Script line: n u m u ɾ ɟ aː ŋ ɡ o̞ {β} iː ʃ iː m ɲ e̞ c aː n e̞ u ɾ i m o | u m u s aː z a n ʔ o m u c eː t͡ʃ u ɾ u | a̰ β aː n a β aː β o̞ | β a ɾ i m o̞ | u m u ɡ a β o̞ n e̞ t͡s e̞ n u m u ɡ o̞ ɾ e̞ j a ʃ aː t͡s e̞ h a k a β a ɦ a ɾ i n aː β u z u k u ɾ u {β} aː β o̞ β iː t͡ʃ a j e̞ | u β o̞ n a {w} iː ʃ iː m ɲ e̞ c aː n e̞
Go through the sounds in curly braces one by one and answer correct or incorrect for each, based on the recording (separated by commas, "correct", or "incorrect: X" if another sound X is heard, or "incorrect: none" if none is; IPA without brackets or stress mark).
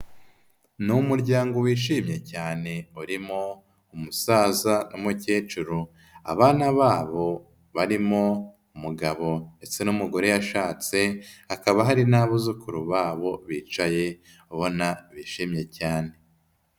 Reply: incorrect: w, correct, incorrect: β